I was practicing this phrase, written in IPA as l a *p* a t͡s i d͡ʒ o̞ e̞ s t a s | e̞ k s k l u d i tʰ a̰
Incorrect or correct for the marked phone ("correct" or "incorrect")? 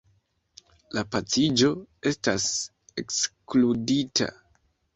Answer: correct